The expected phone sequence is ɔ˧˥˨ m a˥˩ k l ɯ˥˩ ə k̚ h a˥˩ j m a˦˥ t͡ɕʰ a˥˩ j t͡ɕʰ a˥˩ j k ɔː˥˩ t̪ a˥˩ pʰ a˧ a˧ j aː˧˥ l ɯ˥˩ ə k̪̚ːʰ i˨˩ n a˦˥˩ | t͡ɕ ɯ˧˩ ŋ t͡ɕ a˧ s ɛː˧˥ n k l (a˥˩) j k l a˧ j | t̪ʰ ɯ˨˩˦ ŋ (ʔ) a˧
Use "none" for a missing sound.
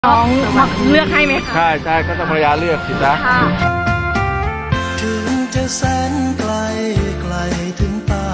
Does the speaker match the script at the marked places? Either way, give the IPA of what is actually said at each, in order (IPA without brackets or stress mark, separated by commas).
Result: a˧, p